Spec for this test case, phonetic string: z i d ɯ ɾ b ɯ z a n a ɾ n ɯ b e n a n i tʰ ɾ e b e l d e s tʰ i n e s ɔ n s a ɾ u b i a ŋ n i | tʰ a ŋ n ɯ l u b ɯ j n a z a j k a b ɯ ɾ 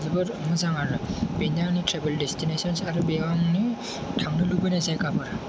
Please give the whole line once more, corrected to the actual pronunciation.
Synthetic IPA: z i b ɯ ɾ m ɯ z a ŋ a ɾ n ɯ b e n a n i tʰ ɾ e b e l d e s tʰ i n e s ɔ n s a ɾ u b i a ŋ n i | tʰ a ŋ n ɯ l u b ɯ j n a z a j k a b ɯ ɾ